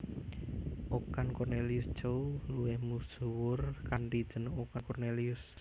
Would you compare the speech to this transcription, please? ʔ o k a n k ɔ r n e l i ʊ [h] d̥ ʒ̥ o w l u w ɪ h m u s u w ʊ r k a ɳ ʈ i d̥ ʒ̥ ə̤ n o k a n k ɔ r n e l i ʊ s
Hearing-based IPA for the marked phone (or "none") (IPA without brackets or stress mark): s